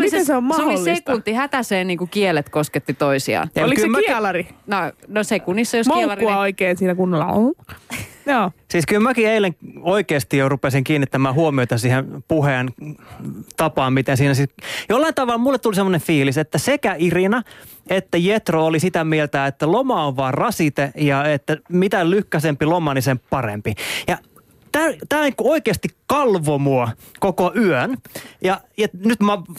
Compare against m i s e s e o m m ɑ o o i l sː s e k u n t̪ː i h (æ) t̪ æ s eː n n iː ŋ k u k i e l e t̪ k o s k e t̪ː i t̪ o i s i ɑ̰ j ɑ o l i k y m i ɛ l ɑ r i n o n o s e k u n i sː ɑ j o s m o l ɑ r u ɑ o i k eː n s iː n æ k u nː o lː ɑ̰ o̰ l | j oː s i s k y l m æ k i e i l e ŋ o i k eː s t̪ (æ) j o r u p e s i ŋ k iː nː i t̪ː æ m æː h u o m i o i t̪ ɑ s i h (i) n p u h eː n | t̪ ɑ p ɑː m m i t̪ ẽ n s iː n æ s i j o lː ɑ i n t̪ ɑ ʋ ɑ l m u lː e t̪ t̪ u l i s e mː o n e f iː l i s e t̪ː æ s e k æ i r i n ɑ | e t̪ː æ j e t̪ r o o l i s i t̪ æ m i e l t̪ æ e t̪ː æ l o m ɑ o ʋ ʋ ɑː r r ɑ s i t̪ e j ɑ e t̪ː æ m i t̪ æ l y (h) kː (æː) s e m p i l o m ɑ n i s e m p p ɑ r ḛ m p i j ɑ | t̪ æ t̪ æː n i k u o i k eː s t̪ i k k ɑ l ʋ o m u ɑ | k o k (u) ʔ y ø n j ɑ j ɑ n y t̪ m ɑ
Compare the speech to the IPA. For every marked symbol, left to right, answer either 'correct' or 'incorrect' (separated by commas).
correct, incorrect, incorrect, correct, incorrect, incorrect